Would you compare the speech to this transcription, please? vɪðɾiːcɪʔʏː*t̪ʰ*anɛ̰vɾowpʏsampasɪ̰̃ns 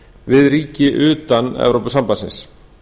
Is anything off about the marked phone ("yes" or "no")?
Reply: yes